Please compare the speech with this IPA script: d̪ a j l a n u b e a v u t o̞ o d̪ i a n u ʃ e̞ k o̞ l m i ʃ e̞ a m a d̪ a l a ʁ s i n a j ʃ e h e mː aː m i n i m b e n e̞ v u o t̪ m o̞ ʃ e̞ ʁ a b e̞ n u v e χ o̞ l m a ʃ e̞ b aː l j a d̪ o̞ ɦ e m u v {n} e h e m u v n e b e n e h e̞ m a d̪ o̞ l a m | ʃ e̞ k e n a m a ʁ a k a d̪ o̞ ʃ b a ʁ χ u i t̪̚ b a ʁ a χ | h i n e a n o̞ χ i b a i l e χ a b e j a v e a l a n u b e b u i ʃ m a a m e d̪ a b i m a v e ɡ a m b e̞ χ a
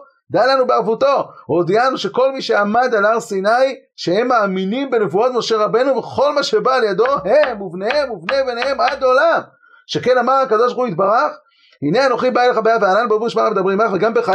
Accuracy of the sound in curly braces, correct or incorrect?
correct